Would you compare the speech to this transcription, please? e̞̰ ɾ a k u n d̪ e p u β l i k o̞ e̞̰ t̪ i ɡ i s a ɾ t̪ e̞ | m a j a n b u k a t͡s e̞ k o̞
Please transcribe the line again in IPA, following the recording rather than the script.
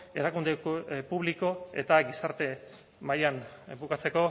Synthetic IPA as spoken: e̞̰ ɾ a k u n d̪ e p u β l i k o̞ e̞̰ t̪ a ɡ i s a ɾ t̪ e̞ | m a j a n b u k a t͡s e̞ k o̞